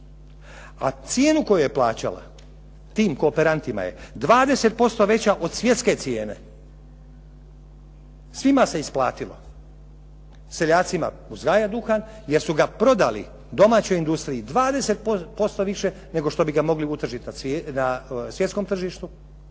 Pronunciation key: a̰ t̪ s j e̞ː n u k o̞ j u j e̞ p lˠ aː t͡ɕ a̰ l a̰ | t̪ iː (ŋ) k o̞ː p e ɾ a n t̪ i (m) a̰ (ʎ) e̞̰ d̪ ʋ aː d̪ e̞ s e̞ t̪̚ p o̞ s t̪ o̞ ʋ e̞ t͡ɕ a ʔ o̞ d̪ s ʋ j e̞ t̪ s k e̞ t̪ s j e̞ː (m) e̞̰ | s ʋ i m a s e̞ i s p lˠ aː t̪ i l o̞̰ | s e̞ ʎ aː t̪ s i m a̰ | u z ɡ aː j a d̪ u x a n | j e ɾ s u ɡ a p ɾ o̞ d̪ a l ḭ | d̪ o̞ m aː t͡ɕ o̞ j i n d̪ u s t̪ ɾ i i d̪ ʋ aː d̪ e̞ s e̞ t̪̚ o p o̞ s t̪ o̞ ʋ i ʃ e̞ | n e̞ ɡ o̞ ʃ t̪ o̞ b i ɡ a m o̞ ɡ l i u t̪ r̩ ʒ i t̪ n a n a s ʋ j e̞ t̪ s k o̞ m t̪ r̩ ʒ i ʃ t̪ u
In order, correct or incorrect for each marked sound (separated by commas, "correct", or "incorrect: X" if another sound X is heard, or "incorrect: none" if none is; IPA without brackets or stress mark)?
incorrect: m, correct, incorrect: j, incorrect: n